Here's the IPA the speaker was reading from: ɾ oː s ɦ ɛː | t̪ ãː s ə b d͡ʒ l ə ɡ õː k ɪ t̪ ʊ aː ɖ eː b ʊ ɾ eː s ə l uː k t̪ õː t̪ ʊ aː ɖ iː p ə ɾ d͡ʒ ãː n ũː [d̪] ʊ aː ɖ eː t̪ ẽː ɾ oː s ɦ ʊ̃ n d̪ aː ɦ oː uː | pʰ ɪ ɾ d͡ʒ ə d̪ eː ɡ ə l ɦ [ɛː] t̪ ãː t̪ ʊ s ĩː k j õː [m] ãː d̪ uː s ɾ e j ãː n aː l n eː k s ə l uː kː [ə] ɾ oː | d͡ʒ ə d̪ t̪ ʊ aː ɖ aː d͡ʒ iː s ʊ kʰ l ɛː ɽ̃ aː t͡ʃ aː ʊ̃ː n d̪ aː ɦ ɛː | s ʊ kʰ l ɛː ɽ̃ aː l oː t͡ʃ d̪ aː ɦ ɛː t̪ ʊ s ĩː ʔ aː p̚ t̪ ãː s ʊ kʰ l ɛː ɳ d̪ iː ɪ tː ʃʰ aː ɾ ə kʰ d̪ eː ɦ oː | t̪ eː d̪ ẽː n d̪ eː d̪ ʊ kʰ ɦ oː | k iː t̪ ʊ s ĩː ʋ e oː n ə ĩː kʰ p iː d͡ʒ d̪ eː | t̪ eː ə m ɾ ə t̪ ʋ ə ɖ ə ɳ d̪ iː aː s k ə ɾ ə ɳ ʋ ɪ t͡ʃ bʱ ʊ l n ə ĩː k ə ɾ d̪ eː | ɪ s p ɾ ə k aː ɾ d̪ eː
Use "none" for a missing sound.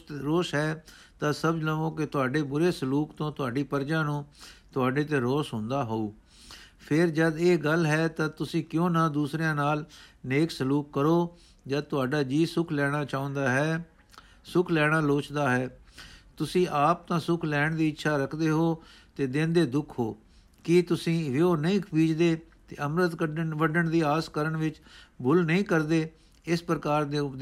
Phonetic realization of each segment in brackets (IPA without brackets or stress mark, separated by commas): t̪, ɛː, n, ə